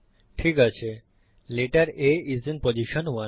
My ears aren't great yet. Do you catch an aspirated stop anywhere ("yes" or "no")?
yes